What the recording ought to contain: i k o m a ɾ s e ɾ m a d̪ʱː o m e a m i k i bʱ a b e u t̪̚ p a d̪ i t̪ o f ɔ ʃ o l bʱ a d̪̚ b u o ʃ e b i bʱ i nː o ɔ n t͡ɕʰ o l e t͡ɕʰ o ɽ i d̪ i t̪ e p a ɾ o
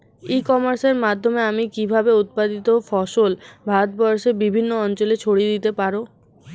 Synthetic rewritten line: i k ɔ m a ɾ s e ɾ m a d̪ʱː o m e a m i k i bʱ a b e u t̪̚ p a d̪ i t̪ o f ɔ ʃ o l bʱ a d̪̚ b ɔ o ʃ e b i bʱ i nː o ɔ n t͡ɕ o l e t͡ɕʰ o ɽ i d̪ i t̪ e p a ɾ o

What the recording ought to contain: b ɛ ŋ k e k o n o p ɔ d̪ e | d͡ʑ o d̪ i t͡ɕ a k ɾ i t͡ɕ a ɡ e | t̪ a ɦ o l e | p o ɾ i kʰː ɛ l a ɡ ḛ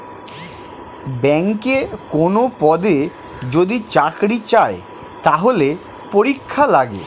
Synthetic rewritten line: b ɛ ŋ k e k o n o p ɔ d̪ e | d͡ʑ o d̪ i t͡ɕ a k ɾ i t͡ɕ a e | t̪ a ɦ o l e | p o ɾ i kʰː a l a ɡ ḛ

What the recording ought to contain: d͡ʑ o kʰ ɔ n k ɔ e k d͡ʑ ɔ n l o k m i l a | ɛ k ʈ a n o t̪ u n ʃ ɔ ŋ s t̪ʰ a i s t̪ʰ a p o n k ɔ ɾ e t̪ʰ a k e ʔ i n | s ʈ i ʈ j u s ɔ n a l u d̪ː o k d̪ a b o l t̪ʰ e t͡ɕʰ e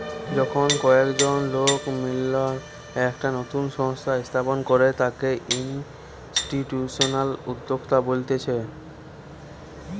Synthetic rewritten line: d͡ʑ ɔ kʰ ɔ n k ɔ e k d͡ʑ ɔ n l o k m i l a | ɛ k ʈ a n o t̪ u n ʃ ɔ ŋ s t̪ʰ a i s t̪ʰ a p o n k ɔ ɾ e t̪ a k e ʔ i n | s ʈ i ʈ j u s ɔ n a l u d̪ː o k t̪ a b o l t̪ e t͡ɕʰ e

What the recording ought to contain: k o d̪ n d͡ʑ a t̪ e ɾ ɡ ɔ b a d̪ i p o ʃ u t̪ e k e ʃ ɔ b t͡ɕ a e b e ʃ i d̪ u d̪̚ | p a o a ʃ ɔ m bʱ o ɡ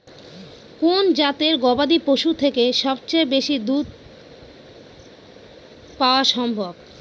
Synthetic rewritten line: k o n d͡ʑ a t̪ e ɾ ɡ ɔ b a d̪ i p o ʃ u t̪ʰ e k e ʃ ɔ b t͡ɕ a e b e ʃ i d̪ u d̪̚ | p a o a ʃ ɔ m bʱ o b

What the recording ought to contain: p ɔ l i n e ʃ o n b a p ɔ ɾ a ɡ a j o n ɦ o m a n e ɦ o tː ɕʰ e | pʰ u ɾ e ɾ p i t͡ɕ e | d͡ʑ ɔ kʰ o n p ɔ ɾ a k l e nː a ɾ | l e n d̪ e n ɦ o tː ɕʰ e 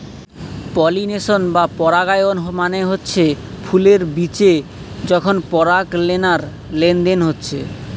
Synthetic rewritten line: p ɔ l i n e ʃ o n b a p ɔ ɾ a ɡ a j o n ɦ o m a n e ɦ o tː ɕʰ e | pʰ u l e ɾ b i t͡ɕ e | d͡ʑ ɔ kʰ o n p ɔ ɾ a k l e n a ɾ | l e n d̪ e n ɦ o tː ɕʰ e

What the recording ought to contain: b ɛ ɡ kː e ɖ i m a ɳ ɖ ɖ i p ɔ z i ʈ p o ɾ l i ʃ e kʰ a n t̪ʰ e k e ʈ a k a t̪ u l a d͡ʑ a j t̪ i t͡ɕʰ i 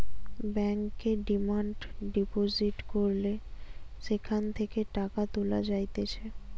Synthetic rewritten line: b ɛ ŋ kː e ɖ i m a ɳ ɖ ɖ i p o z i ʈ k o ɾ l e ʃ e kʰ a n t̪ʰ e k e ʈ a k a t̪ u l a d͡ʑ a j t̪ e t͡ɕʰ e

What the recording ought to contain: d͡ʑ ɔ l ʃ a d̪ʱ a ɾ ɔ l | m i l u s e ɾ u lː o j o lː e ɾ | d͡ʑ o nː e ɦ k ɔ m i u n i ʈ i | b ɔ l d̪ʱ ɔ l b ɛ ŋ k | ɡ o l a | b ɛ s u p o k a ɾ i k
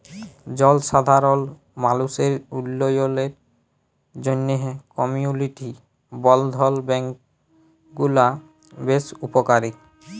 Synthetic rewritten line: d͡ʑ ɔ l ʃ a d̪ʱ a ɾ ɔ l | m a l u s e ɾ u lː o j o l e ɾ | d͡ʑ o nː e ɦ k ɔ m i u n i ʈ i | b ɔ l d̪ʱ ɔ l b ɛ ŋ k | ɡ u l a | b e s u p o k a ɾ i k

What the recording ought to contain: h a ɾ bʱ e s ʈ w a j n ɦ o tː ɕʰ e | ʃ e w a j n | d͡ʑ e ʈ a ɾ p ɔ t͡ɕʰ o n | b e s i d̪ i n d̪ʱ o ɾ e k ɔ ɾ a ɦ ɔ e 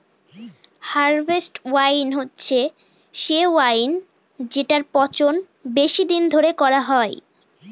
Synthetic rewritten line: h a ɾ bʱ e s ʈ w a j n ɦ o tː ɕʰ e | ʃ e w a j n | d͡ʑ e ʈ a ɾ p ɔ t͡ɕ o n | b e ʃ i d̪ i n d̪ʱ o ɾ e k ɔ ɾ a ɦ ɔ e

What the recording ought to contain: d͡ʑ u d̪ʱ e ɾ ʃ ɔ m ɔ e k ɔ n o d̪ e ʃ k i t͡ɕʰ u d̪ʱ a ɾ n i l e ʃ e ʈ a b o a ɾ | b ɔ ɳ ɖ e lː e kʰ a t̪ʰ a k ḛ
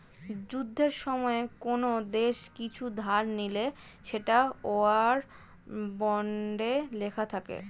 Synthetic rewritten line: d͡ʑ u d̪ʱː e ɾ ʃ ɔ m ɔ e k o n o d̪ e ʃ k i t͡ɕʰ u d̪ʱ a ɾ n i l e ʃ e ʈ a o a ɾ | b ɔ ɳ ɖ e l e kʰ a t̪ʰ a k ḛ

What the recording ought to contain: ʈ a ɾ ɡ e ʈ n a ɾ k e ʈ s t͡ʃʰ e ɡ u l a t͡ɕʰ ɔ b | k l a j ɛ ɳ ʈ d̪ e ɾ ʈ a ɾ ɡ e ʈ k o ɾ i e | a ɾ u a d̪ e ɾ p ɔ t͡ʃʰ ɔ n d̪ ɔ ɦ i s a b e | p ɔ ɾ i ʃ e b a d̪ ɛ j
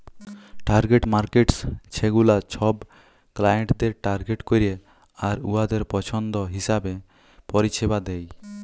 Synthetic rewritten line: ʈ a ɾ ɡ e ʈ m a ɾ k e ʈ s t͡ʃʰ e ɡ u l a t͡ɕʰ ɔ b | k l a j e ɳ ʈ d̪ e ɾ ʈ a ɾ ɡ e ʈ k o ɾ i e | a ɾ u a d̪ e ɾ p ɔ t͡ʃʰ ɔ n d̪ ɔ ɦ i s a b e | p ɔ ɾ i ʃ e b a d̪ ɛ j

